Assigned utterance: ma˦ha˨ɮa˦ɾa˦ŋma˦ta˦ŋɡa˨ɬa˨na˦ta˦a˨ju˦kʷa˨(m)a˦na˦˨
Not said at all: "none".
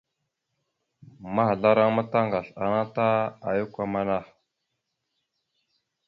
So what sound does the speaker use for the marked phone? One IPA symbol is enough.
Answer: m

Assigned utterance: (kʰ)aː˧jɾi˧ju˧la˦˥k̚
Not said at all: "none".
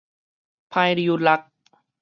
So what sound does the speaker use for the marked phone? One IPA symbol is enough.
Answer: pʰ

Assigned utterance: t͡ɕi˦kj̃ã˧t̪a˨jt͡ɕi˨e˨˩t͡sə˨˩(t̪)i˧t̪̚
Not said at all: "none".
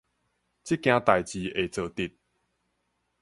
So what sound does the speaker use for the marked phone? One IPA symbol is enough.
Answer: t̪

